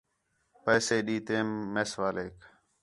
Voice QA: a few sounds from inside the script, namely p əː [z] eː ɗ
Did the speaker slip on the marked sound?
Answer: yes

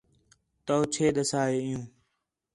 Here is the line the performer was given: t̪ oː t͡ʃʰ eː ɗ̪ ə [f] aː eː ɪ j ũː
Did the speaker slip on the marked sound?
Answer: yes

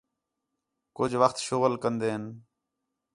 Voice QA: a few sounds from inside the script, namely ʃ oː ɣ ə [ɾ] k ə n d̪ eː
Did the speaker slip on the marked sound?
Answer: yes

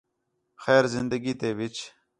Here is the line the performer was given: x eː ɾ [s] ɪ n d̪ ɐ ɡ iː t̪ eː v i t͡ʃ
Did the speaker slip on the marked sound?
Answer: yes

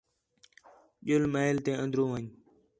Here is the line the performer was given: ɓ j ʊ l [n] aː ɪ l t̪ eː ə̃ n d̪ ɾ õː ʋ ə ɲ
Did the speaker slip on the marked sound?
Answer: yes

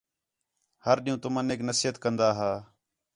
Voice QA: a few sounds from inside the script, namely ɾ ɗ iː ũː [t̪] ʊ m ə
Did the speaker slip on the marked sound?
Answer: no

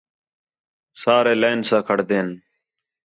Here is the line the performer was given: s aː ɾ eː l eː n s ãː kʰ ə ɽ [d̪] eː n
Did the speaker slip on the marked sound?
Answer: no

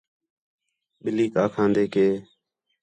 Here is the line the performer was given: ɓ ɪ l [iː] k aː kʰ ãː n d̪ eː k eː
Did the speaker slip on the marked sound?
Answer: no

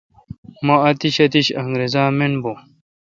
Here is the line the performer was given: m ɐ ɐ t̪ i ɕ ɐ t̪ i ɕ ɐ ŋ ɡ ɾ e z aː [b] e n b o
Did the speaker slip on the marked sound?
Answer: yes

